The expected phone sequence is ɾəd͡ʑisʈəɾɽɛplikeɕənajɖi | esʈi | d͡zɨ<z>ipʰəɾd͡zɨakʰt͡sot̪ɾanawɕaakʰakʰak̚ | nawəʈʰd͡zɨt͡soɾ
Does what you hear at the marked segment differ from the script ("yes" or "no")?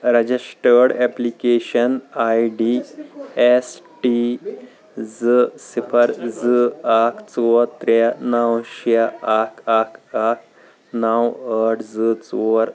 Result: yes